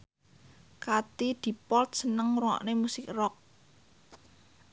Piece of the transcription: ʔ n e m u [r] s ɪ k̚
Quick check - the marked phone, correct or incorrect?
incorrect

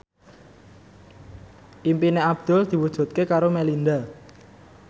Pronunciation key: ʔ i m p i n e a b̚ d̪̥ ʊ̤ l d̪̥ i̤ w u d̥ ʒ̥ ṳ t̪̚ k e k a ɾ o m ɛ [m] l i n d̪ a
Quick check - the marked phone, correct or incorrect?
incorrect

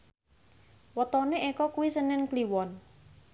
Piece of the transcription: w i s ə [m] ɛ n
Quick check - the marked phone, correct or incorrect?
incorrect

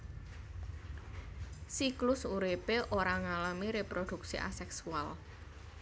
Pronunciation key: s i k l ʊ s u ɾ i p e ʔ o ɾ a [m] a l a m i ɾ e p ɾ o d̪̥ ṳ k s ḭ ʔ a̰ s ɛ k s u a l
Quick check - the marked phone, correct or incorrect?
incorrect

